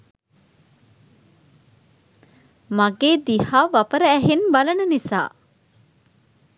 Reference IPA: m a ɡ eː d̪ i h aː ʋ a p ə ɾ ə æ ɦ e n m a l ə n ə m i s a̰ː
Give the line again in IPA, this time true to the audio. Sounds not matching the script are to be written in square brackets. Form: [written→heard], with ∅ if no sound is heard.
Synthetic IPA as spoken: m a ɡ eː d̪ i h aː ʋ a p ə ɾ ə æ ɦ e n [m→b] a l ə n ə [m→n] i s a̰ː